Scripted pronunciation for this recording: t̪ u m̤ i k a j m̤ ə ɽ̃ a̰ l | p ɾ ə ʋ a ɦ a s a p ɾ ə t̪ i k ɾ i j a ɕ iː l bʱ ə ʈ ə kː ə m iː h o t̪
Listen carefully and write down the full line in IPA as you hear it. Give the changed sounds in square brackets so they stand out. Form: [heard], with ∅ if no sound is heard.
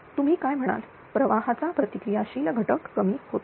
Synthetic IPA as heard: t̪ u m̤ [iː] k a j m̤ ə ɽ̃ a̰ l | p ɾ ə ʋ a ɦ a [t͡s] a p ɾ ə t̪ i k ɾ i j a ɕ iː l [ɡʱ] ə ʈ ə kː ə m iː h o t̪

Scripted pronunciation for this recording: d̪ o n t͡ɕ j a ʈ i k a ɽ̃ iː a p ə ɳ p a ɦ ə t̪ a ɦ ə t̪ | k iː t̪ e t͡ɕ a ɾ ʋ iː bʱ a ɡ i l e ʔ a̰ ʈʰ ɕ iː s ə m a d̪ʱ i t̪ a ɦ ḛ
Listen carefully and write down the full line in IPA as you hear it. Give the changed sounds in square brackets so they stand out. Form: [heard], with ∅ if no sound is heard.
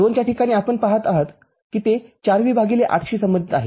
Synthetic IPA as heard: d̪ o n t͡ɕ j a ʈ i k a ɽ̃ iː a p ə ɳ p a ɦ ə t̪ a ɦ ə t̪ | k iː t̪ e t͡ɕ a ɾ ʋ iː bʱ a ɡ i l e ʔ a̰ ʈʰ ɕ iː s ə m [ə] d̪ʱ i t̪ a ɦ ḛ

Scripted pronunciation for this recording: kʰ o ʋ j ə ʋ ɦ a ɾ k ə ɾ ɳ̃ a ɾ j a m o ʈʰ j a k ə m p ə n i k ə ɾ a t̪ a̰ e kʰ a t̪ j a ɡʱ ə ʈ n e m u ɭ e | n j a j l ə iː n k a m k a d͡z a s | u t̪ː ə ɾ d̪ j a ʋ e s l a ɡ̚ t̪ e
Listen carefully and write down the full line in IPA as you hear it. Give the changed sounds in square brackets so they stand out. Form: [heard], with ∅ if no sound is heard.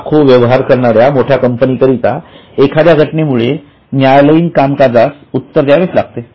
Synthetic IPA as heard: kʰ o ʋ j ə ʋ ɦ a ɾ k ə ɾ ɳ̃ a ɾ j a m o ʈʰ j a k ə m p ə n i k ə ɾ [i] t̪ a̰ e kʰ a [d̪] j a ɡʱ ə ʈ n e m u ɭ e | n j a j l ə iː n k a m k a d͡z a s | u t̪ː ə ɾ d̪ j a ʋ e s l a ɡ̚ t̪ e

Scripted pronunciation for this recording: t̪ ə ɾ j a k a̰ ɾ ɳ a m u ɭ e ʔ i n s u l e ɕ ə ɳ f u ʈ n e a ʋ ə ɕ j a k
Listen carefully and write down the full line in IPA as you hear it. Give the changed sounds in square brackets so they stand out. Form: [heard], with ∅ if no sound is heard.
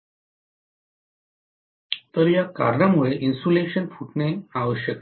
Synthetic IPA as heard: t̪ ə ɾ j a k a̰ ɾ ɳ a m u ɭ e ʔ i n s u l e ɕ ə [n] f u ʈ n e a ʋ ə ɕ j [ə] k

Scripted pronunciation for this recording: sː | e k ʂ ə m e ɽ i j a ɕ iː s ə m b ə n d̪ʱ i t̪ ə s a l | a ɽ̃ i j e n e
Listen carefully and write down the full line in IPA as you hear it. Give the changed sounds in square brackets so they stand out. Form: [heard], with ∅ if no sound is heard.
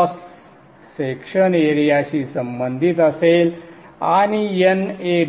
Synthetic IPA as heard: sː | e k ʂ ə [n] e [ɾ] i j a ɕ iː s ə m b ə n d̪ʱ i t̪ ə s [e] l | a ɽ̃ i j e n e

